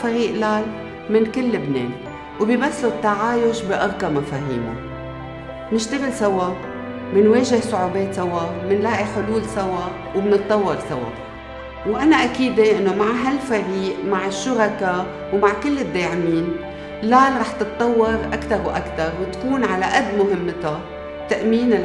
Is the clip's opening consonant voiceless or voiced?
voiceless